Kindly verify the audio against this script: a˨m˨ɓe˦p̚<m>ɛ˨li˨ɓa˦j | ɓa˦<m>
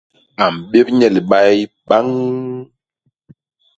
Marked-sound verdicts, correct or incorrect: incorrect, incorrect

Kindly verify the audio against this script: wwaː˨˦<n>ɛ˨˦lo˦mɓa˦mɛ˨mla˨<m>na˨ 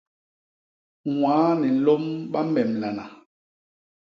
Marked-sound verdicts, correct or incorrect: correct, incorrect

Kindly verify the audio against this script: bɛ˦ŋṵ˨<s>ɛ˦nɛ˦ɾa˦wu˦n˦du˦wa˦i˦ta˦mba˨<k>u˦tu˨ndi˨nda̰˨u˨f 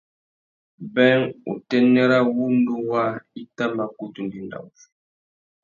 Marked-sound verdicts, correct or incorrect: incorrect, correct

